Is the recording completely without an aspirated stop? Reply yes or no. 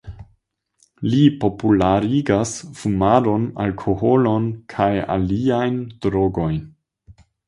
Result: no